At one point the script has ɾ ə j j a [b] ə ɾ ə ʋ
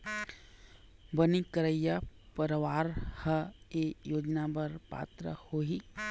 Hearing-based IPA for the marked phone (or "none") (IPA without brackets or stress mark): p